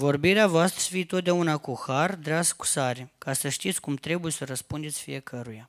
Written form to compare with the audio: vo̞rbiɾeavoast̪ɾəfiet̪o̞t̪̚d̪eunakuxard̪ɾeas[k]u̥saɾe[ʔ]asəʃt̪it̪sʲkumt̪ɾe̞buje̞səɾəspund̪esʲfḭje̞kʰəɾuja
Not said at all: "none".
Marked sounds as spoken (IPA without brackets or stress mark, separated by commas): k, k